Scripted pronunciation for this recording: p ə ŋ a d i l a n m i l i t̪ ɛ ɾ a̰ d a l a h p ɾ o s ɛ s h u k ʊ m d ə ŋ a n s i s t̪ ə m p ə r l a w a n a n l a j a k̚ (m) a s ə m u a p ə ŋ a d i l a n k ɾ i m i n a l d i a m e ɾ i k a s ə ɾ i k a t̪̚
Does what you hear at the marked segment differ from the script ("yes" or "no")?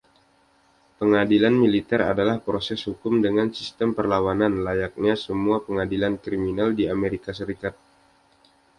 yes